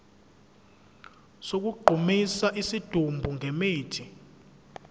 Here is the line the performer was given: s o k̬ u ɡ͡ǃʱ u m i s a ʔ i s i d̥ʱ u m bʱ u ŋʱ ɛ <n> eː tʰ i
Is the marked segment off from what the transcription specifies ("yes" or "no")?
yes